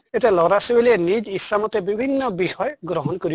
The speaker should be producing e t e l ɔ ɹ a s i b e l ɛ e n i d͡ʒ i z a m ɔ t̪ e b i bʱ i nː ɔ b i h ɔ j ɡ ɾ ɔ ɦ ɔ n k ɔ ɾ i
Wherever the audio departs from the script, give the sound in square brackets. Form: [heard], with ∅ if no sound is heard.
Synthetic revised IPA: e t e l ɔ [ɾ] a s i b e l [i] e n i d͡ʒ i [s] a m ɔ t̪ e b i bʱ i nː ɔ b i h ɔ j ɡ ɾ ɔ ɦ ɔ n k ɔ ɾ i